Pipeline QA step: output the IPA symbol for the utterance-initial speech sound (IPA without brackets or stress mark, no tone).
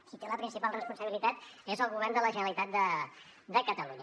s